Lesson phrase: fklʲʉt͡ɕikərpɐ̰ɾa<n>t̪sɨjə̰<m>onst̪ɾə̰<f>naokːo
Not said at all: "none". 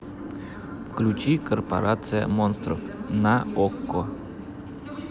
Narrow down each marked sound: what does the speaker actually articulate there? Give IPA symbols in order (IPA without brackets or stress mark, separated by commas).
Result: none, m, f